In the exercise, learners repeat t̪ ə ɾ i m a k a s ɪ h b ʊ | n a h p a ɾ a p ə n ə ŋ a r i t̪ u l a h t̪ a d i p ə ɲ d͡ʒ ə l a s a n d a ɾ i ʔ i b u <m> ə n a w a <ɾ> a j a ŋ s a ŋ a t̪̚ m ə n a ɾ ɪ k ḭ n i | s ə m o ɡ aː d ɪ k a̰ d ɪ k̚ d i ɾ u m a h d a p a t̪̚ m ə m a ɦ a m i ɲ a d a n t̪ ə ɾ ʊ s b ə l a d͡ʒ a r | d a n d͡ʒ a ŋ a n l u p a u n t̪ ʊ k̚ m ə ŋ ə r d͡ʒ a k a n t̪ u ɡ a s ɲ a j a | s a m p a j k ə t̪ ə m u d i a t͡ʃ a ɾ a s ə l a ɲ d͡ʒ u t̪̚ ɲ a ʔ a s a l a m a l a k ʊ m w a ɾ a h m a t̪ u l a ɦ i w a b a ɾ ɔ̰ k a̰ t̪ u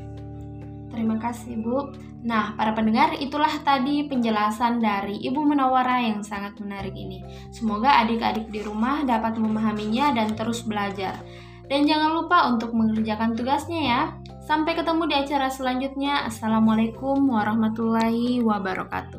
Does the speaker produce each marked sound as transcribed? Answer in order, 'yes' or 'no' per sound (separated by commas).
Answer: yes, yes